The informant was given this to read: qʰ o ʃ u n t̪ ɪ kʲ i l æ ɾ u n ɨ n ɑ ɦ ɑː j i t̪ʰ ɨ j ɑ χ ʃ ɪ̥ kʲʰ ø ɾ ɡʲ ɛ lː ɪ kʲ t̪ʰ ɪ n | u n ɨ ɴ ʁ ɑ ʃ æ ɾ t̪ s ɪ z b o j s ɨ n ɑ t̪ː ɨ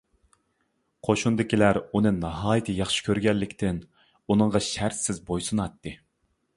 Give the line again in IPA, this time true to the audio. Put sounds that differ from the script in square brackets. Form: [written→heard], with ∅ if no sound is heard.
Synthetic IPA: qʰ o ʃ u n [t̪→d̪] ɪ kʲ i l æ ɾ u n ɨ n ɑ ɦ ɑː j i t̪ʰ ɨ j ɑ χ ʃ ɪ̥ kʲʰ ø ɾ ɡʲ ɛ lː ɪ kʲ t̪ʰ ɪ n | u n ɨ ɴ ʁ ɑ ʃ æ ɾ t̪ s ɪ z b o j s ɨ n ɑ t̪ː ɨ

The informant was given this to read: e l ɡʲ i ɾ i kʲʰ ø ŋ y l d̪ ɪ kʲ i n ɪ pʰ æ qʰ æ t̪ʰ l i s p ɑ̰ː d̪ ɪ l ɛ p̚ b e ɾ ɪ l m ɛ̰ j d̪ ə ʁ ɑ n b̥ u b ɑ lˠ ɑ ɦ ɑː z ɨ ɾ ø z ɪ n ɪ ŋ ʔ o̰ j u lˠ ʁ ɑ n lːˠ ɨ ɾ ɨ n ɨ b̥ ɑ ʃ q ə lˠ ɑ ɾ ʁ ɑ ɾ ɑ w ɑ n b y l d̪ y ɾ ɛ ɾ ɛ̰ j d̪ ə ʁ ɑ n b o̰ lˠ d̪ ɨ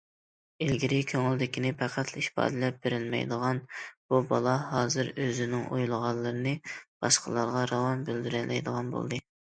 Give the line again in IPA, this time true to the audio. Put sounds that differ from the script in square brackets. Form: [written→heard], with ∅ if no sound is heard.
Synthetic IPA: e l ɡʲ i ɾ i kʲʰ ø ŋ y l d̪ ɪ kʲ i n ɪ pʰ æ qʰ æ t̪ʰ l i [s→ʃ] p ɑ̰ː d̪ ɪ l ɛ p̚ b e ɾ ɪ l m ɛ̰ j d̪ ə ʁ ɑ n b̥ u b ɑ lˠ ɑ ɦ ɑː z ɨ ɾ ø z ɪ n ɪ ŋ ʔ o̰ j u lˠ ʁ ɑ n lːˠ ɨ ɾ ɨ n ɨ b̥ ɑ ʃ q ə lˠ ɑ ɾ ʁ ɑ ɾ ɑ w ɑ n b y l d̪ y ɾ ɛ [ɾ→l] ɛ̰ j d̪ ə ʁ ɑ n b o̰ lˠ d̪ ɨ

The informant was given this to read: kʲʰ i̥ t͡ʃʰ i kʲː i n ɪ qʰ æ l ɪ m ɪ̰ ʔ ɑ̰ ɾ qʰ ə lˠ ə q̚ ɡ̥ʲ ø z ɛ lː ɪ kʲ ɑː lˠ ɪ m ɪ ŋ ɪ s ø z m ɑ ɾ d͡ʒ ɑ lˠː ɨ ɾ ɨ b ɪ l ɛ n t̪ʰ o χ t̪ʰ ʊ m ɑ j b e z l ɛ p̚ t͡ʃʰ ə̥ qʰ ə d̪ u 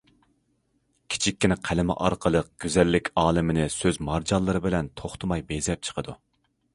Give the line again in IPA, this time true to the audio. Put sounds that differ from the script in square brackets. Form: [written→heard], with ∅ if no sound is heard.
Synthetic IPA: kʲʰ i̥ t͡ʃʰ i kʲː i n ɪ qʰ æ l ɪ m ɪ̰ ʔ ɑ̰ ɾ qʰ ə lˠ ə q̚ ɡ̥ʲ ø z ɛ lː ɪ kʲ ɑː lˠ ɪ m ɪ [ŋ→n] ɪ s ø z m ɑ ɾ d͡ʒ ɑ lˠː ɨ ɾ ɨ b ɪ l ɛ n t̪ʰ o χ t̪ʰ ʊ m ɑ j b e z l ɛ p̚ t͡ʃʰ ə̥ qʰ ə d̪ u

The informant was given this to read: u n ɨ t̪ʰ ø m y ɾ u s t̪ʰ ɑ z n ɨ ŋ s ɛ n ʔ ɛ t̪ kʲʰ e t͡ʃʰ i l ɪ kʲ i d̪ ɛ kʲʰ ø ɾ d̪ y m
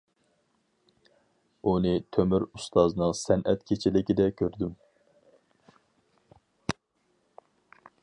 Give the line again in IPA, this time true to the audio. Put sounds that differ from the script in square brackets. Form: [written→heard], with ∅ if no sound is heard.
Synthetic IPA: u n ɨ t̪ʰ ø m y ɾ u s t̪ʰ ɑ z n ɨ ŋ s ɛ n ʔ ɛ t̪ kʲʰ e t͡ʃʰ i l ɪ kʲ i d̪ ɛ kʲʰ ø ɾ d̪ y m

